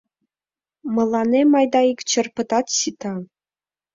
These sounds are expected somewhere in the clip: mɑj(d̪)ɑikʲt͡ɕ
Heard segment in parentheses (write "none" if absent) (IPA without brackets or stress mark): d̪